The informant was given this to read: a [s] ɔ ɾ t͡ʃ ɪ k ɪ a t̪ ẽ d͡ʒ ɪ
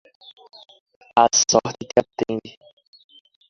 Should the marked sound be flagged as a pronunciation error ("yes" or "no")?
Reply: no